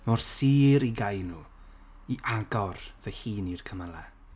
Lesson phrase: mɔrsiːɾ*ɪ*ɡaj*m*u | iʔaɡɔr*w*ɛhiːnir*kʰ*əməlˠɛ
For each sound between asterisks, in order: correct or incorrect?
incorrect: i, incorrect: n, incorrect: v, correct

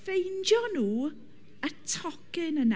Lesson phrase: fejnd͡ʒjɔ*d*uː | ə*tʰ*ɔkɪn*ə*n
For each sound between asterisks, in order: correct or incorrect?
incorrect: n, correct, correct

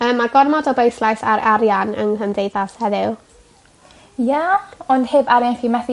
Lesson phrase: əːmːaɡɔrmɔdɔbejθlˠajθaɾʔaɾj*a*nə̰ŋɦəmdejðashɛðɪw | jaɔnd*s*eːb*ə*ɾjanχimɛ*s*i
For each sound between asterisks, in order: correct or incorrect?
correct, incorrect: h, incorrect: a, incorrect: θ

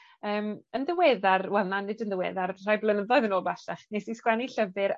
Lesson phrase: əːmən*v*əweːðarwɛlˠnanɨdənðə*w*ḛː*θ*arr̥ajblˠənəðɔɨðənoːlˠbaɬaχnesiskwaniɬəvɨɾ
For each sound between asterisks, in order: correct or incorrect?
incorrect: ð, correct, incorrect: ð

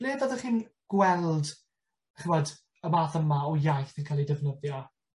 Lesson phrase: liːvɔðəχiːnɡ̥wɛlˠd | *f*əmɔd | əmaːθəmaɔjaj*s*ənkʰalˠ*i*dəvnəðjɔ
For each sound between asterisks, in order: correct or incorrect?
incorrect: χ, incorrect: θ, correct

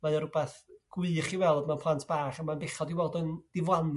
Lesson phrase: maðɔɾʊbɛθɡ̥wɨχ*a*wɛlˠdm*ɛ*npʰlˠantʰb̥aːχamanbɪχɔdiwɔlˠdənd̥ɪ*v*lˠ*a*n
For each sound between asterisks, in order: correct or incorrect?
incorrect: i, incorrect: a, correct, correct

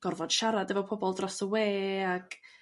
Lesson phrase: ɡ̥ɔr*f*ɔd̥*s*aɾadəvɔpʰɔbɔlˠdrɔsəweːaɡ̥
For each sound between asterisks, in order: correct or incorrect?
incorrect: v, incorrect: ʃ

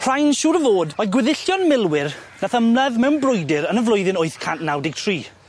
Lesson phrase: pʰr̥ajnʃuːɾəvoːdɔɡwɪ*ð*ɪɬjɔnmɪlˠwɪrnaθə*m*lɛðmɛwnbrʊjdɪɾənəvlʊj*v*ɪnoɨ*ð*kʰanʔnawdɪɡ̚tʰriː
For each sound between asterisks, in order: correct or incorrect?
correct, correct, incorrect: ð, incorrect: θ

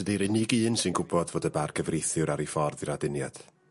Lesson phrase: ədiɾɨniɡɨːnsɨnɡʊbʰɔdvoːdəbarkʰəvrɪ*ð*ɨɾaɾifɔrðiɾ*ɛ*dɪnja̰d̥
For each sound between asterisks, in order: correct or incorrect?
incorrect: θ, incorrect: a

